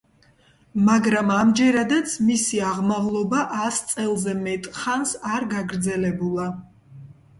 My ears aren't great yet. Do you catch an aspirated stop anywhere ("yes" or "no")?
no